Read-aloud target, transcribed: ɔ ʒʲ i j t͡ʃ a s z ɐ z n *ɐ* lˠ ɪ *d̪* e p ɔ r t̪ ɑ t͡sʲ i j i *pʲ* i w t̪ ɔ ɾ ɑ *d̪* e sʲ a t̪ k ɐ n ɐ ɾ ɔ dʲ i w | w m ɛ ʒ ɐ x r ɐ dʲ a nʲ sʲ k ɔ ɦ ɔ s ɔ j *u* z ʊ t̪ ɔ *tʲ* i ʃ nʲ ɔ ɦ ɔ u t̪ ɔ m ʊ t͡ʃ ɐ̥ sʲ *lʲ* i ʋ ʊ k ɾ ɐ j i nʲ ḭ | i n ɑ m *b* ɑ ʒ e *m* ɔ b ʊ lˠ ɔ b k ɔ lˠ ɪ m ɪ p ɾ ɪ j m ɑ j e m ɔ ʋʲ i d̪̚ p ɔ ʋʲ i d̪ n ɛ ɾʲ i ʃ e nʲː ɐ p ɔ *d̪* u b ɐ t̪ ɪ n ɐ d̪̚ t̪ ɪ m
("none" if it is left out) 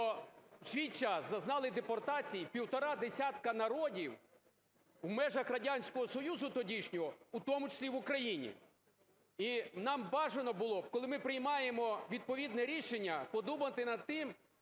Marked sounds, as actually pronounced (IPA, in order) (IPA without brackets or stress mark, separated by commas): ɑ, d̪, pʲ, d̪, u, dʲ, lʲ, b, n, d̪